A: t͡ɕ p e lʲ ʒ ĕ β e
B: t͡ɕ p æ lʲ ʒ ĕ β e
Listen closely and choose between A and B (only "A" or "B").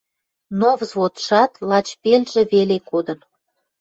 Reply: A